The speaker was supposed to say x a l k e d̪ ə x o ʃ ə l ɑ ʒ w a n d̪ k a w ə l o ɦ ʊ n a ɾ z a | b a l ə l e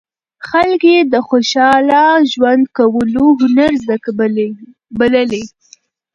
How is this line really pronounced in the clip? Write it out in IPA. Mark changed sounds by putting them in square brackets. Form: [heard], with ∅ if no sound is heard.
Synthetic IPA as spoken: x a l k e d̪ ə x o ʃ [ɑ] l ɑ ʒ w a n d̪ k a w ə l o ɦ ʊ n a ɾ z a | b a l ə l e